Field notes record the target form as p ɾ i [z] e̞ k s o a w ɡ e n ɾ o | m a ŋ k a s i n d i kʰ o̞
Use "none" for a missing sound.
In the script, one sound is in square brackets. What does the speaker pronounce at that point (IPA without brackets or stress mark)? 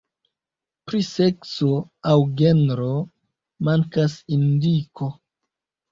s